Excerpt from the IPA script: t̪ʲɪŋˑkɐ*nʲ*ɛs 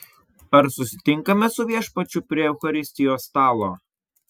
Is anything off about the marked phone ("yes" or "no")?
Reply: yes